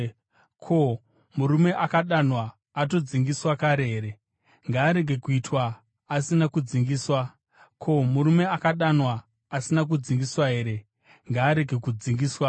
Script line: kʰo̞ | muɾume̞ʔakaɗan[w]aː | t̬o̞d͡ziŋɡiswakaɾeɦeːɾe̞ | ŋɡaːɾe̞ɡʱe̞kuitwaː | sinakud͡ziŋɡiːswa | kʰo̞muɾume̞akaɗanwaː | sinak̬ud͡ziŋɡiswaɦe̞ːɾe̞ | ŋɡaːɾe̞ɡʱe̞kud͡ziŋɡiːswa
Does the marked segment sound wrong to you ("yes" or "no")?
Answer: no